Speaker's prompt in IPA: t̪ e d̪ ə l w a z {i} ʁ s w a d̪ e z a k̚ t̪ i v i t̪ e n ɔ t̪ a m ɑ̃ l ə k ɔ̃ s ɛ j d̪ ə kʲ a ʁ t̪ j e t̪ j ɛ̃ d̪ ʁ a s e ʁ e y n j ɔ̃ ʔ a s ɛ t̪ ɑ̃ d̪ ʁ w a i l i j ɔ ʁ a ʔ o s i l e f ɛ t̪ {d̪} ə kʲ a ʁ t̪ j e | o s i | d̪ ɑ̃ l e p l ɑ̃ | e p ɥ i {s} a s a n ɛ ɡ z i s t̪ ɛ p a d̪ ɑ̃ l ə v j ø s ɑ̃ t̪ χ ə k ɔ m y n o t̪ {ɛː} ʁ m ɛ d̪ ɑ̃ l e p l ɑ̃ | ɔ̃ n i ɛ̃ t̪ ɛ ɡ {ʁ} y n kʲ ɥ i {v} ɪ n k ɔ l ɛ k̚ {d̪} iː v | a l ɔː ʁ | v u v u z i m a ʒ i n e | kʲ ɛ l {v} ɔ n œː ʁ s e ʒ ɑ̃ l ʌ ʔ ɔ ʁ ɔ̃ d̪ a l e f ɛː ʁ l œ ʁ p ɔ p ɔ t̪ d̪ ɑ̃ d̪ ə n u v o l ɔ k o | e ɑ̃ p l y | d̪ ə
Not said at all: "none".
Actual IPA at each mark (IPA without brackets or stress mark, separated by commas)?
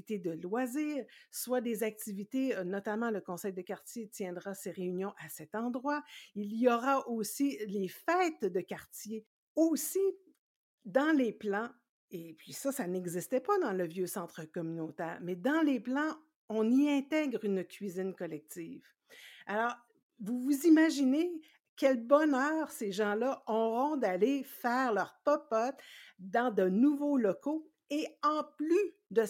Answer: iː, d̪, s, ɛː, ʁ, z, t̪, b